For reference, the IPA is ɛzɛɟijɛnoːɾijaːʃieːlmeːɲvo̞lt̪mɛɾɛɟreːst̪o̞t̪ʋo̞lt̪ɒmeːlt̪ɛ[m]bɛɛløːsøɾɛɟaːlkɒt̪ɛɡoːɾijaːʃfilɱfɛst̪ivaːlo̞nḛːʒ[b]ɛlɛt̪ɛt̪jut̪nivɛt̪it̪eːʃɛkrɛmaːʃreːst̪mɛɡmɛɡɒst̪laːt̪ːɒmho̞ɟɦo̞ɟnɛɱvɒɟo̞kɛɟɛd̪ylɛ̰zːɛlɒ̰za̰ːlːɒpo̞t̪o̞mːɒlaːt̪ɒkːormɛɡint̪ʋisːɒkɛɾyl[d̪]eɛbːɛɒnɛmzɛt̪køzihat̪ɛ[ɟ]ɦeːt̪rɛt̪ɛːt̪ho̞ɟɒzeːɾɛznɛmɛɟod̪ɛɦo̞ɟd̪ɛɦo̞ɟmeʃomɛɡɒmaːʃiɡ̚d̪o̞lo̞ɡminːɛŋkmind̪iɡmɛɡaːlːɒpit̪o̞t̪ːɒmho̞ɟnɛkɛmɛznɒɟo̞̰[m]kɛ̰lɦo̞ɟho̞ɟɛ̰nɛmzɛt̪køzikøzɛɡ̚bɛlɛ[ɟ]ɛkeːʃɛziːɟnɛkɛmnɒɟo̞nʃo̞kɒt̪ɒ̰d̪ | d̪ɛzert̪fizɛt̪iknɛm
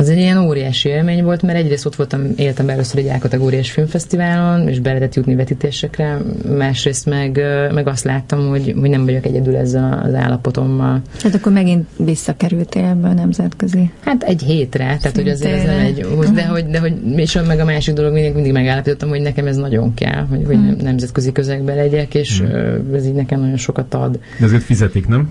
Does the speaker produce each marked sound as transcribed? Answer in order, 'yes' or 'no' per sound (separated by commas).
yes, yes, no, yes, no, yes